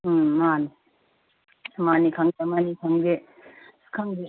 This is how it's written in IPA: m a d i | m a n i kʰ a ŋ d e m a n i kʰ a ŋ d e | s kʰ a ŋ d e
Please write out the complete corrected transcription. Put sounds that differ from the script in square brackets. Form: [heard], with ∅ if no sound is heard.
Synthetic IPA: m a [n] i | m a n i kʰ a ŋ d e m a n i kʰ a ŋ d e | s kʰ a ŋ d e